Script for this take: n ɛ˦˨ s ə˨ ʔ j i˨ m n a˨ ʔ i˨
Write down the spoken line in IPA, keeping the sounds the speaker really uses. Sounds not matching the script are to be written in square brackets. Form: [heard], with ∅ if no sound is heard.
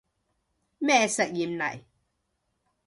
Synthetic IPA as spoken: [m] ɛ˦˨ s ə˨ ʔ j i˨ m n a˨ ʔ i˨